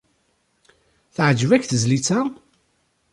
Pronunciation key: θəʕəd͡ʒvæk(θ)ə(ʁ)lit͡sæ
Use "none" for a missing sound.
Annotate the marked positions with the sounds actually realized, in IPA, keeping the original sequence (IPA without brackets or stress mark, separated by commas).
θ, z